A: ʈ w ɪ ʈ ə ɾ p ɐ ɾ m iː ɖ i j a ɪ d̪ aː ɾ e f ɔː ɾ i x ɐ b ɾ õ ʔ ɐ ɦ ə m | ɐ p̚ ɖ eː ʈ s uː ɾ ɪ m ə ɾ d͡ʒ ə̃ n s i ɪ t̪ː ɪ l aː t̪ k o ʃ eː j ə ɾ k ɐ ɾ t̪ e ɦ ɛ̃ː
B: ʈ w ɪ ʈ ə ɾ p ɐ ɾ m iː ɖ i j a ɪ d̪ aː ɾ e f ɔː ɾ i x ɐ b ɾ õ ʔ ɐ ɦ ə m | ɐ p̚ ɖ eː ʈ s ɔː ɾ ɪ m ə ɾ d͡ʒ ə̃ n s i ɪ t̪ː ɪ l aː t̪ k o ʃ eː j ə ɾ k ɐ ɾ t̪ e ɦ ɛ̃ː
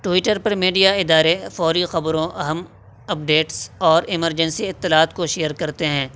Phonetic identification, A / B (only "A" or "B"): B